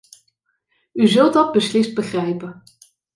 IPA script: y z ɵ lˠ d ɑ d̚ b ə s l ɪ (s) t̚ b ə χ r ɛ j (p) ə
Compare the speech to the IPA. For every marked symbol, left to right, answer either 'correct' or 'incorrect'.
correct, correct

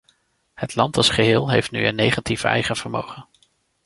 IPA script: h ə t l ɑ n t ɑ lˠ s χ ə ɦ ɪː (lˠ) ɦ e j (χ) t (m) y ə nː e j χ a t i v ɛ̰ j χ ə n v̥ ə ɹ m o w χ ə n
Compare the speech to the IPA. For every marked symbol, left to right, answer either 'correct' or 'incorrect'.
correct, incorrect: f, incorrect: n

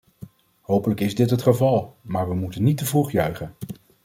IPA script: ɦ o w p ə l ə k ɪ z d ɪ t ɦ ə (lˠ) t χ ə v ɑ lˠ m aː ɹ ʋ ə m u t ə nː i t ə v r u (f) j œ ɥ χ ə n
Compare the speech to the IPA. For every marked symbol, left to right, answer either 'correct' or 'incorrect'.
incorrect: none, incorrect: χ

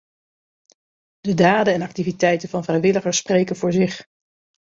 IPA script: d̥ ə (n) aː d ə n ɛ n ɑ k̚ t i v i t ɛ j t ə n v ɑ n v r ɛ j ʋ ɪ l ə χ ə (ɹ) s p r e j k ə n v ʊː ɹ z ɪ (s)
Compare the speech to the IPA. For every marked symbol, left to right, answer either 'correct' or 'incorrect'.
incorrect: d, correct, incorrect: χ

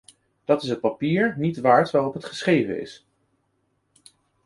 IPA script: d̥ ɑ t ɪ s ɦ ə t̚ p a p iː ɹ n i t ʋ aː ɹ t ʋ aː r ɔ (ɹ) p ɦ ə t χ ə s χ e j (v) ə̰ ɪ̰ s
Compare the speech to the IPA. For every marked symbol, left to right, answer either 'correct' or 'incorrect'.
incorrect: none, correct

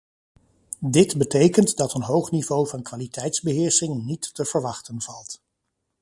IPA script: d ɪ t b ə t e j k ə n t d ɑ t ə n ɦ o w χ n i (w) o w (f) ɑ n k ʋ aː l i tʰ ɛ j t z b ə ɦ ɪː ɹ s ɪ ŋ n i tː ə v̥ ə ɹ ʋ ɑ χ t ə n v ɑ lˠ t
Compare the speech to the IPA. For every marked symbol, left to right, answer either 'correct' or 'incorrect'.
incorrect: v, incorrect: v

